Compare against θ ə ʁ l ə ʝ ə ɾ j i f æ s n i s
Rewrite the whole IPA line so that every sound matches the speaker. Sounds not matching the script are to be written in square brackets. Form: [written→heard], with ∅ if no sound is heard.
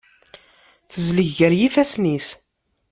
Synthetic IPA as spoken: θ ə [ʁ→z] l ə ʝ ə ɾ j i f æ s n i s